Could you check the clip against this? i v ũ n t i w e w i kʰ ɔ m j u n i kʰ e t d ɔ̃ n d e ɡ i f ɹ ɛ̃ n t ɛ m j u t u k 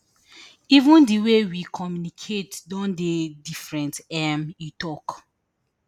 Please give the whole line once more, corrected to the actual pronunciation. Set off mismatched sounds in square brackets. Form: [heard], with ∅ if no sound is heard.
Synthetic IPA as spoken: i v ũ n [d] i w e w i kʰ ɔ m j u n i kʰ e t d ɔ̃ n d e [d] i f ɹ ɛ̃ n t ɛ m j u t [ɔ] k